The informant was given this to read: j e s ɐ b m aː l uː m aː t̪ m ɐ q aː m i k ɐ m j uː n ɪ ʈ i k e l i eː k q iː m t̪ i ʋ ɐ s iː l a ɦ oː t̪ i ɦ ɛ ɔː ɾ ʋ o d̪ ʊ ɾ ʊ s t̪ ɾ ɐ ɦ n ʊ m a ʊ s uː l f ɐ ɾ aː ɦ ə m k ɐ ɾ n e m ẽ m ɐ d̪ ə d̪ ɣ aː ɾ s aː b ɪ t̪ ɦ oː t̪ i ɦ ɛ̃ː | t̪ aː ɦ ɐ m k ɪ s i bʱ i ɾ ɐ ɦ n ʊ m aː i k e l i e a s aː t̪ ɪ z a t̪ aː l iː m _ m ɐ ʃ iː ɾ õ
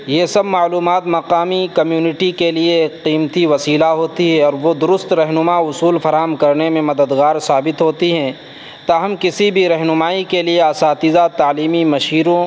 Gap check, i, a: i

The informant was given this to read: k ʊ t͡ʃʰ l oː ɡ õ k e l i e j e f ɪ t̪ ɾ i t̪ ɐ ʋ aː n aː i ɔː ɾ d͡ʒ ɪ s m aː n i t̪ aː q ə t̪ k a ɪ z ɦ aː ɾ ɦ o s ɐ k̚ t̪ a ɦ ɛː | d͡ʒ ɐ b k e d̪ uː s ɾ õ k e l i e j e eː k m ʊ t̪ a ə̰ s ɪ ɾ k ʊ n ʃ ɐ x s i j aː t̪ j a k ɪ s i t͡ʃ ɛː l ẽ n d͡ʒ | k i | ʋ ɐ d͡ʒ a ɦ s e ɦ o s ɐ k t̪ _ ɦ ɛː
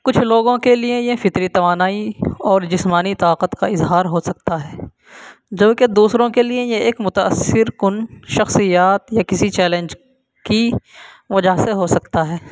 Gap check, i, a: a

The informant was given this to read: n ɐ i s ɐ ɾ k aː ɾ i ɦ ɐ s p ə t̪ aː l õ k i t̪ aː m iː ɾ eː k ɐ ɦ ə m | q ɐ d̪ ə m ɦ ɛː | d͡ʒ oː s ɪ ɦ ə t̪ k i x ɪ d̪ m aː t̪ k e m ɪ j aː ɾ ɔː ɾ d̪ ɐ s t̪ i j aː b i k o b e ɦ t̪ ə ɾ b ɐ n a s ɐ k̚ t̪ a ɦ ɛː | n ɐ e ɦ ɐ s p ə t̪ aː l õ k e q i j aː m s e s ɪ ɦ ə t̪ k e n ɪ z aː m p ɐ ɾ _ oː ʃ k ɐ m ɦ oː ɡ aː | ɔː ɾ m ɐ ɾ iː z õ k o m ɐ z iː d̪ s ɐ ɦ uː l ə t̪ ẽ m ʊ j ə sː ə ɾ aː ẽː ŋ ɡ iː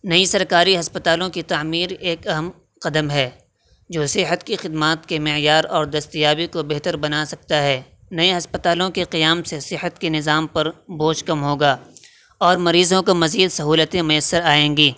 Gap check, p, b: b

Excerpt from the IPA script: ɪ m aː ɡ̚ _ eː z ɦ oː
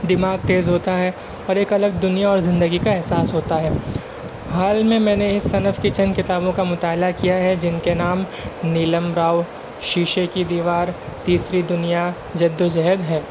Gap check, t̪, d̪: t̪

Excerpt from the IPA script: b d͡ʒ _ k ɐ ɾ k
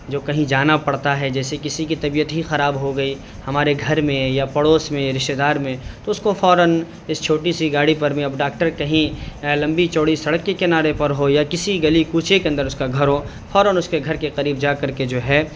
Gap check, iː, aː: aː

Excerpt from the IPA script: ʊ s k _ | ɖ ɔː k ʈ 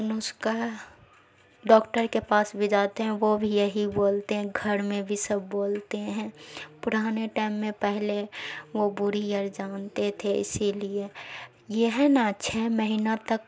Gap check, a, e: a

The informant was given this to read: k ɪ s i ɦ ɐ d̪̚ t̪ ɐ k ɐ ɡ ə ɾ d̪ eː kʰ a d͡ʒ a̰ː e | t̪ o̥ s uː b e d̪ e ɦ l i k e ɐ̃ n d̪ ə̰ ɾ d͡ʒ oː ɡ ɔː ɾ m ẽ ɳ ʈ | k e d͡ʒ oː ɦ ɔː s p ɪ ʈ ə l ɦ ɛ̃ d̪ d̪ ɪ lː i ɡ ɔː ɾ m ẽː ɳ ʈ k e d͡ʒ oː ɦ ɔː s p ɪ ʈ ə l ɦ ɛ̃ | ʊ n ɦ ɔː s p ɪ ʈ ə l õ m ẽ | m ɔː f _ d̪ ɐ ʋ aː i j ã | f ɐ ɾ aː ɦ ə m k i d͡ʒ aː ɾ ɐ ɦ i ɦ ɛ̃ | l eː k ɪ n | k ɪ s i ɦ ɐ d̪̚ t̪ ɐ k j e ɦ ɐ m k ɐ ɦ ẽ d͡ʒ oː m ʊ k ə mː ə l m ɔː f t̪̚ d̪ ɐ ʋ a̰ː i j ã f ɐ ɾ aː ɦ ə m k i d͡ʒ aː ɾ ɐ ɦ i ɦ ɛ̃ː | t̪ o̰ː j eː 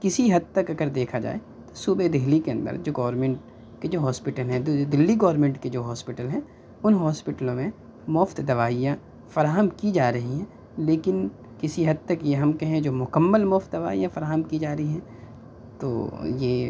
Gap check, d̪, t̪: t̪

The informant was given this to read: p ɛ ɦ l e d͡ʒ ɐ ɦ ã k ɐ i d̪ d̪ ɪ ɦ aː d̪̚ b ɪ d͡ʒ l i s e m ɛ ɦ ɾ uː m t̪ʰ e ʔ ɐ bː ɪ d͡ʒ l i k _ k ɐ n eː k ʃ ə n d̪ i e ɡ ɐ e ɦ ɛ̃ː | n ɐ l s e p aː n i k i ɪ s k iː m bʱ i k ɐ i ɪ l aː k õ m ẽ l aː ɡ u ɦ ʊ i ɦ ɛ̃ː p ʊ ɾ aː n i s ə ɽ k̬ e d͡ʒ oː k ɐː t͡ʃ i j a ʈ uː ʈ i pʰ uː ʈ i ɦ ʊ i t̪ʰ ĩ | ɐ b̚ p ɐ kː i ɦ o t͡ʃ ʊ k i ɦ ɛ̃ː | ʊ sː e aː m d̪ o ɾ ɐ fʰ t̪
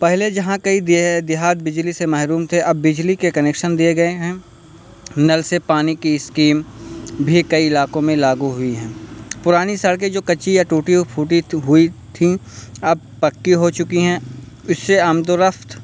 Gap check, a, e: e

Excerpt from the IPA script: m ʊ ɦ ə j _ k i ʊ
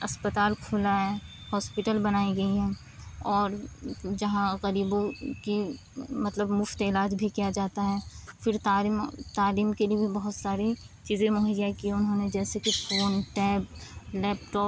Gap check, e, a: a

